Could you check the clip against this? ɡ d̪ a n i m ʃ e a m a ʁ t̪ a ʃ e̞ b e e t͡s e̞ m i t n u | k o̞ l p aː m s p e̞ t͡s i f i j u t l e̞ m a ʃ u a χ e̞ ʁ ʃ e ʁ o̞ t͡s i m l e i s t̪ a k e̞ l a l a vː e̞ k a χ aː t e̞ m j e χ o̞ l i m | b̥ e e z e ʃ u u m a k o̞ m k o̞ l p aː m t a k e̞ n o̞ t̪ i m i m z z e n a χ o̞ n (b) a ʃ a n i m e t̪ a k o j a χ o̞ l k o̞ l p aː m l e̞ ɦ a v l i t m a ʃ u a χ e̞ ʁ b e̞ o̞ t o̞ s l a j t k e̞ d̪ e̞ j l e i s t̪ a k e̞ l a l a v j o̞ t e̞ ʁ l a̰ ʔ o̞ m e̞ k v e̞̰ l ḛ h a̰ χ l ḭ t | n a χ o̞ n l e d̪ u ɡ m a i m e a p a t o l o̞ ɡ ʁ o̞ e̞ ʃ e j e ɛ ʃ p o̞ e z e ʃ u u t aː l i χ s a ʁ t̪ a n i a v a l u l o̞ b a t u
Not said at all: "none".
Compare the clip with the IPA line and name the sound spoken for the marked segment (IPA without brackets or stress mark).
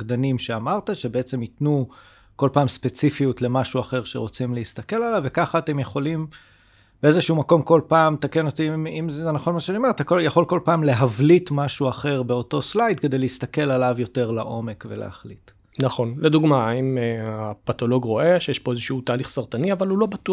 m